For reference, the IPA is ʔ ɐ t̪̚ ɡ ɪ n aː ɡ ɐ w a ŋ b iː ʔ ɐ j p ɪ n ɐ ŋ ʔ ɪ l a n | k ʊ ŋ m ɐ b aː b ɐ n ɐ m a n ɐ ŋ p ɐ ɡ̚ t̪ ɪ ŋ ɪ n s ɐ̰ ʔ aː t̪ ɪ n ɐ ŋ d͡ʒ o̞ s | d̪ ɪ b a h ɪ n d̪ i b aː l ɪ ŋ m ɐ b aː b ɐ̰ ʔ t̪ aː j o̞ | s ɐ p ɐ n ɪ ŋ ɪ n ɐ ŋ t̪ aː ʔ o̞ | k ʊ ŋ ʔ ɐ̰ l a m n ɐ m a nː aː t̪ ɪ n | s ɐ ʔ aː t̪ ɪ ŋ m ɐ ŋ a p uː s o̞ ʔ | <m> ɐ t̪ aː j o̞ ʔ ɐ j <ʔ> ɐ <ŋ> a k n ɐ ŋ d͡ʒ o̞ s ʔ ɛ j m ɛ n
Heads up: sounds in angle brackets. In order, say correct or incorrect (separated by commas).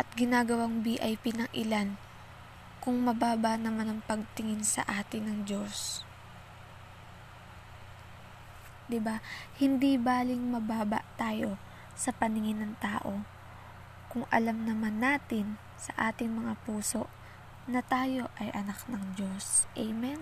incorrect, correct, incorrect